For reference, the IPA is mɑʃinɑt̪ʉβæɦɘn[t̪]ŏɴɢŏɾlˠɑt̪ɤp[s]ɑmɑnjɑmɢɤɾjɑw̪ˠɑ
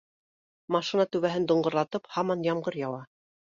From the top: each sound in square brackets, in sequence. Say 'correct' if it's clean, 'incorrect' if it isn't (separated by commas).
incorrect, incorrect